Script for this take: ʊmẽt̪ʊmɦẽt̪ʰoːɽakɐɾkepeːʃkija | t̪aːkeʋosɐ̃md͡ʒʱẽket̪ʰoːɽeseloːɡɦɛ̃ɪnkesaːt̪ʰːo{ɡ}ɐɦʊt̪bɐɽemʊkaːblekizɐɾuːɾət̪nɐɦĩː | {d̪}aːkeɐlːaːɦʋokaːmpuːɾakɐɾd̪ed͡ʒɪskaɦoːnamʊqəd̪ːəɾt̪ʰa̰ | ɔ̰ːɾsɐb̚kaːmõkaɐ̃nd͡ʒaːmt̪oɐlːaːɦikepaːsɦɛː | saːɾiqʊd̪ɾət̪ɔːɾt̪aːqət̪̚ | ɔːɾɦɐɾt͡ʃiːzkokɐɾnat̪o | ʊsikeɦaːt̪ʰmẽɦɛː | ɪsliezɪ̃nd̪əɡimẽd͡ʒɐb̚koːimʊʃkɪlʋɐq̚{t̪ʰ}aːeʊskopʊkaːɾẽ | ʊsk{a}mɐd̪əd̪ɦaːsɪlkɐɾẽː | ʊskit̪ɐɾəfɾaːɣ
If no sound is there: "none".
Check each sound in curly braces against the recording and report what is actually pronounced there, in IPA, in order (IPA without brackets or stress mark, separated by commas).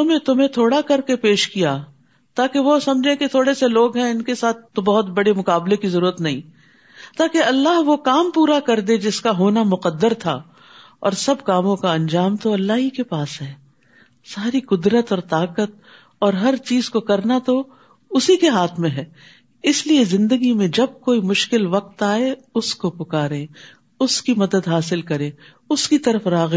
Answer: b, t̪, t̪, i